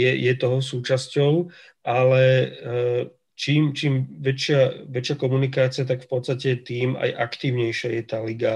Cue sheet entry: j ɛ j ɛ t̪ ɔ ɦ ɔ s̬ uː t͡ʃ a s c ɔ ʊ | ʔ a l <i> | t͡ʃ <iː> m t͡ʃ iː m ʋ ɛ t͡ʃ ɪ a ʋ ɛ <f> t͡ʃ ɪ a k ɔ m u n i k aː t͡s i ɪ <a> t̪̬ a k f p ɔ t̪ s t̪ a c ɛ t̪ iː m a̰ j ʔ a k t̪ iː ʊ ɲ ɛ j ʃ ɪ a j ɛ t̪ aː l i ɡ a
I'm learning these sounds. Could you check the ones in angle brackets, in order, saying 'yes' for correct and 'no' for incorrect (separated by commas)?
no, yes, no, yes